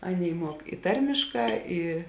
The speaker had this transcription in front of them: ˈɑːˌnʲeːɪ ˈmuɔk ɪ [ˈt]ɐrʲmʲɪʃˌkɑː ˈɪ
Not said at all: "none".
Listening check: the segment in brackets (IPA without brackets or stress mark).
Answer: t